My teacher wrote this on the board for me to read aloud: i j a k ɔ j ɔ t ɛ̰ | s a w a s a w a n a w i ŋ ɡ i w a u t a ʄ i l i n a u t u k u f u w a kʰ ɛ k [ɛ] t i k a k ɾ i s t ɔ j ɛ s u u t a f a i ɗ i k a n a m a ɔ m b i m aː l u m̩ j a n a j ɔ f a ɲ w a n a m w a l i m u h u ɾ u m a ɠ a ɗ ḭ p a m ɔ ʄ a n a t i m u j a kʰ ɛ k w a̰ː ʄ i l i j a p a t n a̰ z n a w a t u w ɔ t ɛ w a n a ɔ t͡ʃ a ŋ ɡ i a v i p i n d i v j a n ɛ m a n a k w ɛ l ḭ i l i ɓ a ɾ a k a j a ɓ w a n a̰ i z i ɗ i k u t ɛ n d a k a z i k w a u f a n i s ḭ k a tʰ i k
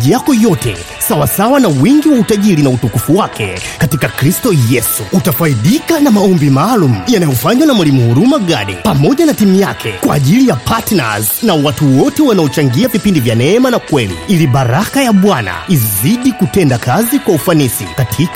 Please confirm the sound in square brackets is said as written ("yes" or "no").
no